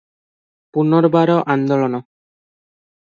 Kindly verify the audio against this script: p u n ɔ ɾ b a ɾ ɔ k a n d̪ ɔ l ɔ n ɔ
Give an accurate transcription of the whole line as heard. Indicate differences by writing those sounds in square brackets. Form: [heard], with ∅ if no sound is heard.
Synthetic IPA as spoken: p u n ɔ ɾ b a ɾ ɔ [ʔ] a n d̪ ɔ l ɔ n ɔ